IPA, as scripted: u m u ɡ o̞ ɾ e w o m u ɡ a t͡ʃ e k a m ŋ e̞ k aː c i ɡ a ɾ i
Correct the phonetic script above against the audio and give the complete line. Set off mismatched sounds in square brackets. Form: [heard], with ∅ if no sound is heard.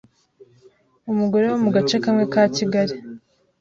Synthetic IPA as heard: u m u ɡ o̞ ɾ e w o m u ɡ a t͡ʃ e k a m ŋ e̞ k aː c i ɡ a ɾ i

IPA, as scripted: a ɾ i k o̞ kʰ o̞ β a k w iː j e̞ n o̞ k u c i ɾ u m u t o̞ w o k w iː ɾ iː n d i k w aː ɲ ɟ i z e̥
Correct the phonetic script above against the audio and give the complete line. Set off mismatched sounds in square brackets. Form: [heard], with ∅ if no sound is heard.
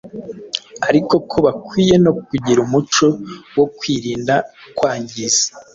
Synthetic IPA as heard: a ɾ i k o̞ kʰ o̞ β a k w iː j e̞ n o̞ k u [ɟ] i ɾ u m u [t͡ʃ] o̞ w o k w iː ɾ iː n d [a] k w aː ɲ ɟ i z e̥

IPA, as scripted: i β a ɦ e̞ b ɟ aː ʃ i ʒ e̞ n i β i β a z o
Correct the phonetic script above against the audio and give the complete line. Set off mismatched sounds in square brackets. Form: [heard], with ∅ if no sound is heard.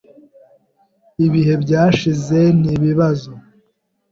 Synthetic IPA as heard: i β [i] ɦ e̞ b ɟ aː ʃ i [z] e̞ n i β i β a z o

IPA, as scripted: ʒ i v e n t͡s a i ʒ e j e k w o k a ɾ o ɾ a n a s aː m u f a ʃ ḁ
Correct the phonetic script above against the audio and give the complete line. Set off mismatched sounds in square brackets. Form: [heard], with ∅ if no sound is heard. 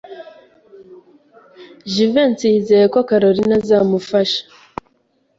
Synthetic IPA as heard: ʒ i v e n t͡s [i] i [z] e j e k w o k a ɾ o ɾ [i] n a [z] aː m u f a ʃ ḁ

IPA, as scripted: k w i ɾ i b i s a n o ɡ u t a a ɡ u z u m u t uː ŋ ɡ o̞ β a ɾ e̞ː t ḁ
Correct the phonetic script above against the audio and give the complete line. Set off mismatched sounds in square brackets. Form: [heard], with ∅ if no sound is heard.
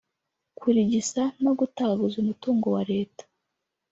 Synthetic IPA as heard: k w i ɾ i [ɟ] i s a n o ɡ u t a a ɡ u z u m u t uː ŋ ɡ o̞ [w] a ɾ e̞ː t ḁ

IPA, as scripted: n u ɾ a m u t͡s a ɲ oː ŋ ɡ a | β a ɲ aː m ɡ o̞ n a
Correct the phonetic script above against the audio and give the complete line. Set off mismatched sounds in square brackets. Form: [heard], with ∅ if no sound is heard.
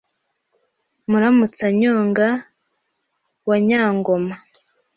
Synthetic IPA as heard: [m] u ɾ a m u t͡s a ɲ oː ŋ ɡ a | [w] a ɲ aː [ŋ] ɡ o̞ [m] a

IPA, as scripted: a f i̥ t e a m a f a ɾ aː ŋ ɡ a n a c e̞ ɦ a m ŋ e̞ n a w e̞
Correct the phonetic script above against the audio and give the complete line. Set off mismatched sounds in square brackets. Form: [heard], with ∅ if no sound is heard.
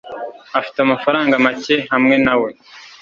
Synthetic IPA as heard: a f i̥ t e a m a f a ɾ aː ŋ ɡ a [m] a c e̞ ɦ a m ŋ e̞ n a w e̞

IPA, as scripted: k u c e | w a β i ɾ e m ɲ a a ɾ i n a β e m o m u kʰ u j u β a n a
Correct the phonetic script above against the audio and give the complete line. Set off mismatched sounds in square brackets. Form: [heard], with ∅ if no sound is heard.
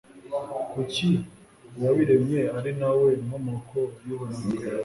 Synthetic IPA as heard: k u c [i] | w a β i ɾ e m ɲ [e] a ɾ i n a [w] e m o m [o] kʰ [o] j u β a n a

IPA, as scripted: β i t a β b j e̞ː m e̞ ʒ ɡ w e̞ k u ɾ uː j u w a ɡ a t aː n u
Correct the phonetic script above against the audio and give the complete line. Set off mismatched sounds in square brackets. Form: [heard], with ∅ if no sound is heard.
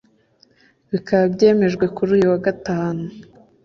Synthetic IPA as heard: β i [k] a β b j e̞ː m e̞ ʒ ɡ w e̞ k u ɾ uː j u w a ɡ a t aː n u

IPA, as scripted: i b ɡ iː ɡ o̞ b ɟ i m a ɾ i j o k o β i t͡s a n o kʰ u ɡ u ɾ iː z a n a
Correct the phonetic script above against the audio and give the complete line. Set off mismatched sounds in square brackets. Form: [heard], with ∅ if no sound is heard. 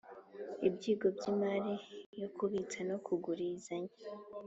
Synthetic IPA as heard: i b [ɟ] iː ɡ o̞ b ɟ i m a ɾ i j o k [u] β i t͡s a n o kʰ u ɡ u ɾ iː z a [ɲ] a

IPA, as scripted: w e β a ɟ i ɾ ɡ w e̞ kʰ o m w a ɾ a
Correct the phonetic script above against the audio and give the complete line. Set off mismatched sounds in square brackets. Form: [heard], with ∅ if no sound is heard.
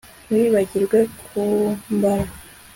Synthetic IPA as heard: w [i] β a ɟ i ɾ ɡ w e̞ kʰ [u] m [b] a ɾ a

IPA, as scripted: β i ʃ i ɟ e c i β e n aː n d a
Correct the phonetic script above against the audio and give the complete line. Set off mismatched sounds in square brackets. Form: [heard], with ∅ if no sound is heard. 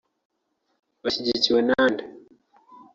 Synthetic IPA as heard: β [a] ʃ i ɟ [i] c i [w] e n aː n d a

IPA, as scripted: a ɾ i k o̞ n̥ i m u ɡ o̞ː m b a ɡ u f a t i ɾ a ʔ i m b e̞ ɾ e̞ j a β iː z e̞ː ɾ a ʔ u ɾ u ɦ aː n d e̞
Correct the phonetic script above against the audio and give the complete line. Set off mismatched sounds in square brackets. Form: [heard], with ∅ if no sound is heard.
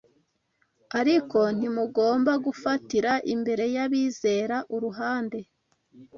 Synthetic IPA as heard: a ɾ i k o̞ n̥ i m u ɡ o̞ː m b a ɡ u f a t i ɾ a ʔ i m b e̞ ɾ e̞ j a β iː z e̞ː ɾ a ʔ u ɾ u ɦ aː n d e̞

